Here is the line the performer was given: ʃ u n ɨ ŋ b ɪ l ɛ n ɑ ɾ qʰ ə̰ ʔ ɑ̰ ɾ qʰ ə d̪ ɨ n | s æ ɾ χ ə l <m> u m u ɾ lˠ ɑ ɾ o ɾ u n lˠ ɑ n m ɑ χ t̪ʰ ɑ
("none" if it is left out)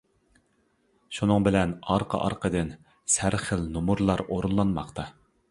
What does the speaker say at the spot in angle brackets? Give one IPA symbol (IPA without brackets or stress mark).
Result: n